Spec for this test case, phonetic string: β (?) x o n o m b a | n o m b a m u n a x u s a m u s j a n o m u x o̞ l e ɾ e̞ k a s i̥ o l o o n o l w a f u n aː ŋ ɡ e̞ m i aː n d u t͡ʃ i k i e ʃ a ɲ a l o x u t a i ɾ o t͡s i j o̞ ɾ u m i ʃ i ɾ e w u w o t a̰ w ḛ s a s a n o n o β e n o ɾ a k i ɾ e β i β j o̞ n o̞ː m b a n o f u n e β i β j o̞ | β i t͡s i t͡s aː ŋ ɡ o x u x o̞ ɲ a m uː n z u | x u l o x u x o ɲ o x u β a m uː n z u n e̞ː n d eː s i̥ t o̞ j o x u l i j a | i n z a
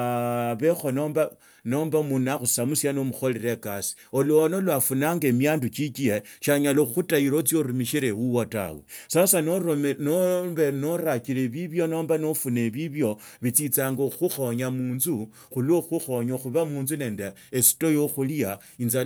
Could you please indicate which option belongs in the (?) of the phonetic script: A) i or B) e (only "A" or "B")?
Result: B